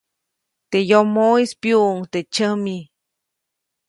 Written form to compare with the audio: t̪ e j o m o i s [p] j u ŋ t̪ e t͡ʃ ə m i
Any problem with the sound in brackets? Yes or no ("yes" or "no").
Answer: no